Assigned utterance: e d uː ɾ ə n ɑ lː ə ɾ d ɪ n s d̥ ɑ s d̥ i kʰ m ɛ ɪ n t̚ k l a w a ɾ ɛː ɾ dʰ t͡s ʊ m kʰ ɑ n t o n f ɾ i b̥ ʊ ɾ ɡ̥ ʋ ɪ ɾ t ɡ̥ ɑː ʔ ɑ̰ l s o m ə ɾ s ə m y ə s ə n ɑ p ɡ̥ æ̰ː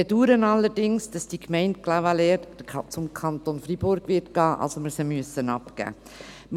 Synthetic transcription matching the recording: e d uː ɾ ə n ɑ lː ə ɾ d ɪ ŋ s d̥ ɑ s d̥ i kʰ m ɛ ɪ n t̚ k l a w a l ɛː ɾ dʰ t͡s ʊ m kʰ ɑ n t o n f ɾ i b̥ ʊ ɾ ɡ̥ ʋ ɪ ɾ t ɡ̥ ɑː ʔ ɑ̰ l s o m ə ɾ s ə m y ə s ə n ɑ p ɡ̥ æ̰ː